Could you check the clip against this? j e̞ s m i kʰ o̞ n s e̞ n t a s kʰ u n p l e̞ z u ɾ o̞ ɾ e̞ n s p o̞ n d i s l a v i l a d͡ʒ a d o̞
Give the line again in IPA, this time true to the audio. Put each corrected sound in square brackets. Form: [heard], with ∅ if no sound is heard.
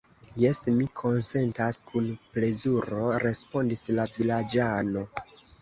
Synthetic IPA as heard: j e̞ s m i kʰ o̞ n s e̞ n t a s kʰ u n p l e̞ z u ɾ o̞ ɾ e̞ [∅] s p o̞ n d i s l a v i l a d͡ʒ a [n] o̞